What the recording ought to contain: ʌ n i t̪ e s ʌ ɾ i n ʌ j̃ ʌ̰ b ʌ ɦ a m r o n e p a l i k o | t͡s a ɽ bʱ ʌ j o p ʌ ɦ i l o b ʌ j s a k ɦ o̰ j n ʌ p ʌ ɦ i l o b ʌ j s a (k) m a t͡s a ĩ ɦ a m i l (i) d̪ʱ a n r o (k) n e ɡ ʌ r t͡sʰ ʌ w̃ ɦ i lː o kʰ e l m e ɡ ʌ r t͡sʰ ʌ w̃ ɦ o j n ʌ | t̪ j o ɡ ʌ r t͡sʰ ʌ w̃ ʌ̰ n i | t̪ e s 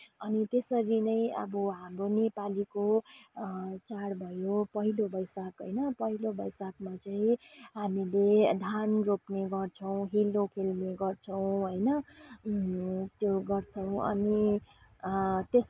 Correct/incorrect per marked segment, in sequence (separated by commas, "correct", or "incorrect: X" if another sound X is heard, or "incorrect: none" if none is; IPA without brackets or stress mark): correct, incorrect: e, incorrect: p